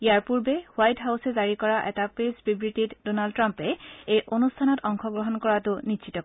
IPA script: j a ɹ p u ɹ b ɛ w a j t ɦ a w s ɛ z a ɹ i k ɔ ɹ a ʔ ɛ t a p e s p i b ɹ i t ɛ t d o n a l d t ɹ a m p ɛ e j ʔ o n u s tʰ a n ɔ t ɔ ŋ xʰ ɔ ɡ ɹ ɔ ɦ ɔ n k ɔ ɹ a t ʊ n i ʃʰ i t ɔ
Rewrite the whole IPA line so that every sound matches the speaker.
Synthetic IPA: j a ɹ p u ɹ b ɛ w a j t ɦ a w s ɛ z a ɹ i k ɔ ɹ a ʔ ɛ t a p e s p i b ɹ i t i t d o n a l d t ɹ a m p ɛ e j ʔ o n u s tʰ a n ɔ t ɔ ŋ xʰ ɔ ɡ ɹ ɔ ɦ ɔ n k ɔ ɹ a t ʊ n i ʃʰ i t ɔ